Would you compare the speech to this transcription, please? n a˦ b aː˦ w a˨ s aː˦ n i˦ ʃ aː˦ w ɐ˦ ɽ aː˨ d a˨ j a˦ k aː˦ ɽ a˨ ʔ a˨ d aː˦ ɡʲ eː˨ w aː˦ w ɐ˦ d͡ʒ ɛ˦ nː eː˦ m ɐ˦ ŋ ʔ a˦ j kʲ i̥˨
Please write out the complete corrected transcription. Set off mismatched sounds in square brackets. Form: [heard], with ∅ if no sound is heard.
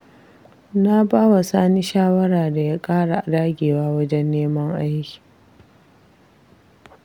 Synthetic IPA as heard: n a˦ b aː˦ w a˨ s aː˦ n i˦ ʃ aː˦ w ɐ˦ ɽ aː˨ d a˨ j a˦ [kʼ] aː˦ ɽ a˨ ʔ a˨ d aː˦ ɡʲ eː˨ w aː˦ w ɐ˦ d͡ʒ ɛ˦ nː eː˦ m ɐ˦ ŋ ʔ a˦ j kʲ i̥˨